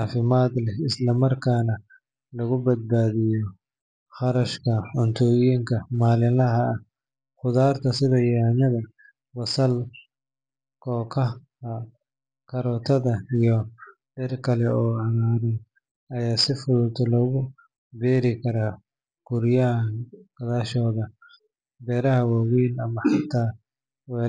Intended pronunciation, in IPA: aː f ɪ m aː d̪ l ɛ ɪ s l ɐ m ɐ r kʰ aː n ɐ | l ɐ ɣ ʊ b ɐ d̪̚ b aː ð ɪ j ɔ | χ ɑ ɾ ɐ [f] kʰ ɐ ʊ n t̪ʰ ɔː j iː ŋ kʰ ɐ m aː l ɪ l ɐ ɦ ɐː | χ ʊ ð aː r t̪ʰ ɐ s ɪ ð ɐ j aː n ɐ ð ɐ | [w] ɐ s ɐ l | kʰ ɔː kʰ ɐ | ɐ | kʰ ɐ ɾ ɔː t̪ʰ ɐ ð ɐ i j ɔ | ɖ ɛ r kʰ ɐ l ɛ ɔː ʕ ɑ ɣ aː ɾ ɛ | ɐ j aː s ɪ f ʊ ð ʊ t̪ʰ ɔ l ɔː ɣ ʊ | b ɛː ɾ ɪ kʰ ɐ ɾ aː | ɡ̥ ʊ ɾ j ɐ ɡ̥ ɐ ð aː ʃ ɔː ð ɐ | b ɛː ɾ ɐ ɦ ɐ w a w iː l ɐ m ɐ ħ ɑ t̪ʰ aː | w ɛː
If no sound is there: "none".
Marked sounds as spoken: ʃ, w

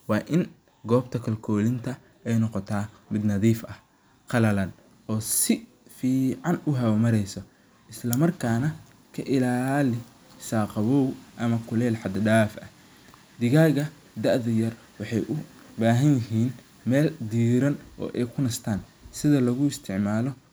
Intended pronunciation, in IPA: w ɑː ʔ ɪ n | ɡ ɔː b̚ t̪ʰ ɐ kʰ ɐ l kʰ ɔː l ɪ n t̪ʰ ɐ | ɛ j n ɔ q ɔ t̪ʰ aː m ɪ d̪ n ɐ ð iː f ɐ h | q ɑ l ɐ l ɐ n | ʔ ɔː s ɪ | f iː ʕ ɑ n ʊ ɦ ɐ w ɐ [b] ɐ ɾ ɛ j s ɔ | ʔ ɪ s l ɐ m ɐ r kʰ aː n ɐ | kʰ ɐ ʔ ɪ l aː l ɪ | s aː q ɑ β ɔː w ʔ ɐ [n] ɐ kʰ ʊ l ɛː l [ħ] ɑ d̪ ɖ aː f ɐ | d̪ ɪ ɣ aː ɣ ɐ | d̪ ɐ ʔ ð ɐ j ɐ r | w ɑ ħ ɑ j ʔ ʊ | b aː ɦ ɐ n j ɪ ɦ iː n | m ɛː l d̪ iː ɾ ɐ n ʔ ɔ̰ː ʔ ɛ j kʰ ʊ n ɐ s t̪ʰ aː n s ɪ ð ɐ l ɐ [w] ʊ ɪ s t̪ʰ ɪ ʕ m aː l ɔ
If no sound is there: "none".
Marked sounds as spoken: m, m, ħ, ɣ

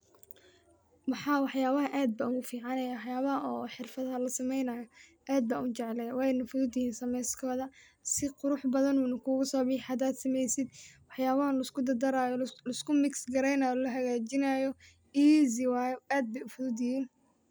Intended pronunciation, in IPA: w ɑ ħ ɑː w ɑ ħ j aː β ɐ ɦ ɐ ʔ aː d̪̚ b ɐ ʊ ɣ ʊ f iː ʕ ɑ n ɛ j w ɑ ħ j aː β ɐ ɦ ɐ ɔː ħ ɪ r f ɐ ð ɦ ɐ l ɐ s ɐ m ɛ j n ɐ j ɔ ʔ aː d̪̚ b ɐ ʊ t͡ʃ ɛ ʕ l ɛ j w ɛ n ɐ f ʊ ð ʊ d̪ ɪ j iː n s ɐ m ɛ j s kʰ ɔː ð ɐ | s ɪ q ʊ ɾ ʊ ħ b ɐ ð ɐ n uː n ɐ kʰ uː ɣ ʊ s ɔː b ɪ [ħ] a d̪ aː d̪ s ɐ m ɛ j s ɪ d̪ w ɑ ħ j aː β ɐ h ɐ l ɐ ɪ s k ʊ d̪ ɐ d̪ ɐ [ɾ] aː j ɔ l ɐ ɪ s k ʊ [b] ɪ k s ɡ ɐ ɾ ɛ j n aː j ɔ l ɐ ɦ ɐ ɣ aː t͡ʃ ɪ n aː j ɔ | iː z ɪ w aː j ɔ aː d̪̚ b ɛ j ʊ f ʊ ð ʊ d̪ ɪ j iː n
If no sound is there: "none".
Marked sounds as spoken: ħ, ɾ, m

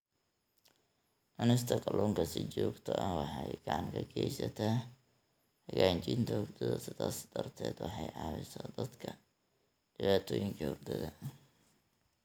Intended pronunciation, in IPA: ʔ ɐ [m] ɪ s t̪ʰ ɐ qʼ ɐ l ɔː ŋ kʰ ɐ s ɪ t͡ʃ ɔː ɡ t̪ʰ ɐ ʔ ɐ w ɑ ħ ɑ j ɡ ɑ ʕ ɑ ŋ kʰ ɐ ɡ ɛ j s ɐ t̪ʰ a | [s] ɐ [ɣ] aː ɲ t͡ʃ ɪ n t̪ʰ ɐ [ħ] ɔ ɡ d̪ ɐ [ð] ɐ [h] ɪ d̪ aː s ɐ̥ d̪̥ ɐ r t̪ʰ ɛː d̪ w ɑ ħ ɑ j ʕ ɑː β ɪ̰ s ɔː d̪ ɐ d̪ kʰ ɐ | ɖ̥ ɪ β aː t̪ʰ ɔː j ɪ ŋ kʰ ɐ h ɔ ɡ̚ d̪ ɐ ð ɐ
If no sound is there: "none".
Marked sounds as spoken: n, h, ɣ, h, ð, s

